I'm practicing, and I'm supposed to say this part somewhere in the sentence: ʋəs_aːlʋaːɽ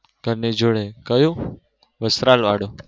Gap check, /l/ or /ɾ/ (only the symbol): ɾ